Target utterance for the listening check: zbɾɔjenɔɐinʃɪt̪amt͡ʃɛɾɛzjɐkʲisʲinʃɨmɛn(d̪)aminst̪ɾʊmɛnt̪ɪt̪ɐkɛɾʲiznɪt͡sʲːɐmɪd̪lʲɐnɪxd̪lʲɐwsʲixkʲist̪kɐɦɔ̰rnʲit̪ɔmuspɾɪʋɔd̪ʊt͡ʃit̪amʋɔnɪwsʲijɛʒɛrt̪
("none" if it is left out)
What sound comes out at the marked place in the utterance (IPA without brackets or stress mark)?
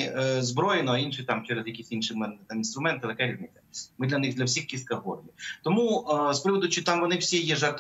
t̪